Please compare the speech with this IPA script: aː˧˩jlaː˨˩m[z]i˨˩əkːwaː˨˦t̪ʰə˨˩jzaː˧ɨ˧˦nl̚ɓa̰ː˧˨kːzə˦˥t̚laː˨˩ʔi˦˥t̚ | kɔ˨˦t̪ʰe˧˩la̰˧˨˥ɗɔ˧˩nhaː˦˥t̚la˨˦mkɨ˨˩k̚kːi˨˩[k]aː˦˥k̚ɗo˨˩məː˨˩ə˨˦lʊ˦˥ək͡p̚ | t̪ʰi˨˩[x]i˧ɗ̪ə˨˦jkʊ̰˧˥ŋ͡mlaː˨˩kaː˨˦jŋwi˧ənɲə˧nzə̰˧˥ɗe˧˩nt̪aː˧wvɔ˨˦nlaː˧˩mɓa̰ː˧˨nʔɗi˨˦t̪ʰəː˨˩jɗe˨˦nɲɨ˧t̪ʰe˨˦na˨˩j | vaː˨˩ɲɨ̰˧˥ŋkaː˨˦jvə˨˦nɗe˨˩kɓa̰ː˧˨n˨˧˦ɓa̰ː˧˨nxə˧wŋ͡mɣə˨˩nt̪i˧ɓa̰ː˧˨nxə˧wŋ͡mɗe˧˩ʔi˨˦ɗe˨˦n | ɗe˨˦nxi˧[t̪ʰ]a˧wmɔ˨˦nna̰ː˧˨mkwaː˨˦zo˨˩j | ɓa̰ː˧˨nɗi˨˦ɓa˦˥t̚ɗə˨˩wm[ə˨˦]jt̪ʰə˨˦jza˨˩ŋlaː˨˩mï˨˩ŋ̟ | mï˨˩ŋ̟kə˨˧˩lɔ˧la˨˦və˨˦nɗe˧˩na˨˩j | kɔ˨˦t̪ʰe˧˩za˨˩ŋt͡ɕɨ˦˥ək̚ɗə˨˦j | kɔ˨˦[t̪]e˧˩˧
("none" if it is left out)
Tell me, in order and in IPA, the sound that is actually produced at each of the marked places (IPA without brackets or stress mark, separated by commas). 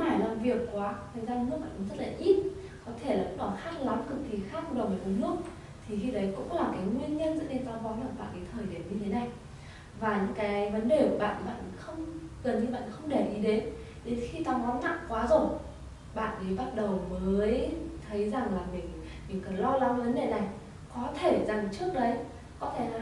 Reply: v, x, x, t̪, əː˨˦, t̪ʰ